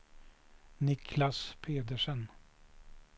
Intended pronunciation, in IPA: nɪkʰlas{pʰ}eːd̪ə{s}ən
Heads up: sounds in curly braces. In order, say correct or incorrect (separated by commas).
correct, incorrect